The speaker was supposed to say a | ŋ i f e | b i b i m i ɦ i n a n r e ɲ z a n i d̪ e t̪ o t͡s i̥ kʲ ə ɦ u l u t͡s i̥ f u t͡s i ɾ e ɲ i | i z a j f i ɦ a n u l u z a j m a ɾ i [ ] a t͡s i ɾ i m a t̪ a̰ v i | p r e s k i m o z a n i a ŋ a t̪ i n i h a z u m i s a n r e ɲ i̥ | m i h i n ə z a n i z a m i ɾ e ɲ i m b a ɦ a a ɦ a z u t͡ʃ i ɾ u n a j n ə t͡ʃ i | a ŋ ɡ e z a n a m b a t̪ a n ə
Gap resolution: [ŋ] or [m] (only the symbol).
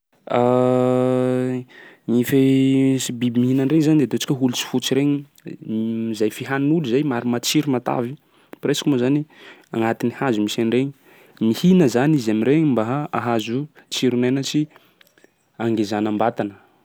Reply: m